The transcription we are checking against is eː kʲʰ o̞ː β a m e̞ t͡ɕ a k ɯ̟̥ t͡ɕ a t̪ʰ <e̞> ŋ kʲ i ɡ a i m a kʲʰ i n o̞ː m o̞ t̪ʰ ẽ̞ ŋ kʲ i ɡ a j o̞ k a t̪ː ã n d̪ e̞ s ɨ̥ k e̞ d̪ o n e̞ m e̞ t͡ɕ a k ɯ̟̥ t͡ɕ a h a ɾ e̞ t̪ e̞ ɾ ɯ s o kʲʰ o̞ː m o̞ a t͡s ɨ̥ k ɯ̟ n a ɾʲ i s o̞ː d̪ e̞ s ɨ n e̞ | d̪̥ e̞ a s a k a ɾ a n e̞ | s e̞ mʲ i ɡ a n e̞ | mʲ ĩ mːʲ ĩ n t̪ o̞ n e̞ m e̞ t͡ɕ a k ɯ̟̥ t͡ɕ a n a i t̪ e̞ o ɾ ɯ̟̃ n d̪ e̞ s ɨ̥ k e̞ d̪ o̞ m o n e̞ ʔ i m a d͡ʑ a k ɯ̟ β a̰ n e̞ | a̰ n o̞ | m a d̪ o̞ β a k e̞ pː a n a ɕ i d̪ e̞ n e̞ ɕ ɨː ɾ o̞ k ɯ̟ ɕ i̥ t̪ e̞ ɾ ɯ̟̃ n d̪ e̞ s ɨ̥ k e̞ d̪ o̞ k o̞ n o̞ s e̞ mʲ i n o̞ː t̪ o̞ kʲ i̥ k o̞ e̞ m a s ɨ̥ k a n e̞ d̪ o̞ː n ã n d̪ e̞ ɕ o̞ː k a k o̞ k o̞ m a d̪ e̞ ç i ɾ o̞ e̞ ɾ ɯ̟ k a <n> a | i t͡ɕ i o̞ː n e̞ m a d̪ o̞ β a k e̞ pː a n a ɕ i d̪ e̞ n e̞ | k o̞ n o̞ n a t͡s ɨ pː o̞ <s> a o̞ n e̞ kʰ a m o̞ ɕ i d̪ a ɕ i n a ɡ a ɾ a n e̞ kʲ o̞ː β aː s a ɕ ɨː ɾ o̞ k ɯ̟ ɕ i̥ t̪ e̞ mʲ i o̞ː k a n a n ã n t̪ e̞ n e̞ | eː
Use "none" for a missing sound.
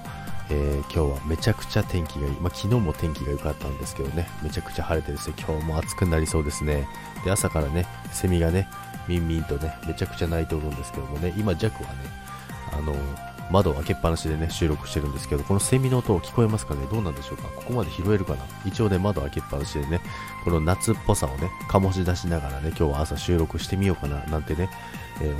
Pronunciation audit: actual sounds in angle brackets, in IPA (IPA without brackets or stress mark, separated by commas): ẽ̞, n, s